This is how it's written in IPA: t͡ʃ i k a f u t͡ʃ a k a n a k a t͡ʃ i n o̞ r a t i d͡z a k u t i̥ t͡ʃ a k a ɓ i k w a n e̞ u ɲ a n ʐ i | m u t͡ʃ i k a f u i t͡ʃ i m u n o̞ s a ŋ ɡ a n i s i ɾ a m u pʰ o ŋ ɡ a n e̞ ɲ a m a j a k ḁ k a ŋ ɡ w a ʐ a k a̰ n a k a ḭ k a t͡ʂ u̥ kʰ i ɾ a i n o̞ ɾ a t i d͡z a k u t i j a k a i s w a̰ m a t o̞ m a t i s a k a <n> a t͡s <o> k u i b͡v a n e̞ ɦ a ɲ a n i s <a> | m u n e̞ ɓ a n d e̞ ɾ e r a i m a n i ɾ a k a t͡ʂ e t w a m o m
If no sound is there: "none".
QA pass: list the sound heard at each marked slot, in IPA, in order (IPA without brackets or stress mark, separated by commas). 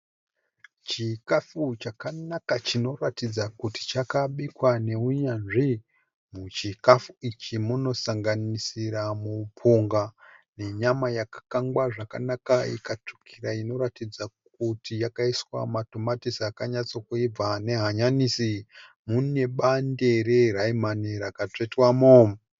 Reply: ɲ, o, i